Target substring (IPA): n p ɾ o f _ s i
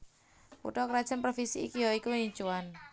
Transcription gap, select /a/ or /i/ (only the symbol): i